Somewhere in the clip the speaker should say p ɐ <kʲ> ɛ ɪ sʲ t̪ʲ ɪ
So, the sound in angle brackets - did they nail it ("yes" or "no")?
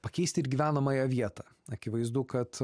yes